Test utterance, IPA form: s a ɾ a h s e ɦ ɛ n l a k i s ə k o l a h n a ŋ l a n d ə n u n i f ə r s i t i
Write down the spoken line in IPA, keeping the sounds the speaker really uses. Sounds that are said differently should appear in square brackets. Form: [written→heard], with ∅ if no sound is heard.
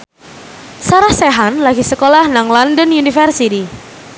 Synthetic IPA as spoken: s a ɾ a h s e ɦ [ɛ→a] n l a [k→ɡ] i s ə k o l a h n a ŋ l a n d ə n u n i f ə r s i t i